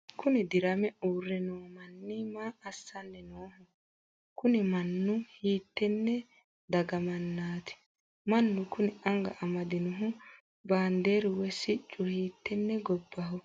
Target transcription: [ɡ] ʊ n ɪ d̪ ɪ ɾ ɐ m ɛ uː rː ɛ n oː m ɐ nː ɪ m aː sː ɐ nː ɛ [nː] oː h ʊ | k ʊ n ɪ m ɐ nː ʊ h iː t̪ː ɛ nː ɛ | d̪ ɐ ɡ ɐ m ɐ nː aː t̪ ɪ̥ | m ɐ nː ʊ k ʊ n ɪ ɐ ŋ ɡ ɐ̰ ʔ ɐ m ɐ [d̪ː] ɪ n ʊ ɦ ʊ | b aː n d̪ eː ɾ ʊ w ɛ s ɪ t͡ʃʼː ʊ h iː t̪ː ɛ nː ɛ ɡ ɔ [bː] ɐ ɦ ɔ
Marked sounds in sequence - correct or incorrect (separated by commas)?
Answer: incorrect, incorrect, incorrect, correct